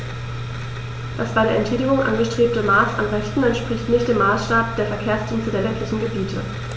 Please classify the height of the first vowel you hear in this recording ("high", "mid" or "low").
low